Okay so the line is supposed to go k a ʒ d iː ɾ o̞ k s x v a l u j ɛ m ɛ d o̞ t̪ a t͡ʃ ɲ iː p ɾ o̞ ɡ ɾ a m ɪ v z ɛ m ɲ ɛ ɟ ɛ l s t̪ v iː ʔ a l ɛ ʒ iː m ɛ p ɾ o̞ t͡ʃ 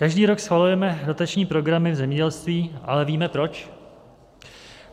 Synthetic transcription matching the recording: k a ʒ d iː ɾ o̞ k s x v a l u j ɛ m ɛ d o̞ t̪ a t͡ʃ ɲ iː p ɾ o̞ ɡ ɾ a m ɪ v z ɛ m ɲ ɛ ɟ ɛ l s t̪ v iː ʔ a l ɛ v iː m ɛ p ɾ o̞ t͡ʃ